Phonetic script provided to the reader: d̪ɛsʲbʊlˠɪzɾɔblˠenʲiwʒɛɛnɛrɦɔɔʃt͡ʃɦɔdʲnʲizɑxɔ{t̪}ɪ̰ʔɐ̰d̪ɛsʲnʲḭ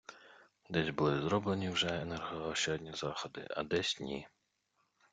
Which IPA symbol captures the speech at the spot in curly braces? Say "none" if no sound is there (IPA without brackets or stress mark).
d̪